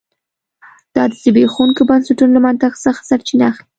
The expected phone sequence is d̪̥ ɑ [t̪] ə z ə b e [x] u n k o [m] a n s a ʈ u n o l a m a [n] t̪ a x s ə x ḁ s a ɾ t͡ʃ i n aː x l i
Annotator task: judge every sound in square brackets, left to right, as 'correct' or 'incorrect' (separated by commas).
incorrect, correct, incorrect, correct